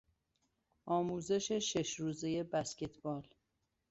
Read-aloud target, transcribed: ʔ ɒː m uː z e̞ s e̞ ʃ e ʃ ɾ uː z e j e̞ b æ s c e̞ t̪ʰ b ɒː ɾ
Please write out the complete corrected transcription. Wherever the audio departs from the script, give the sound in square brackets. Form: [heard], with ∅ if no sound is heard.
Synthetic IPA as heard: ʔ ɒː m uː z e̞ [ʃ] e̞ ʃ e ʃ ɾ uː z e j e̞ b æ s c e̞ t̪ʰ b ɒː [l]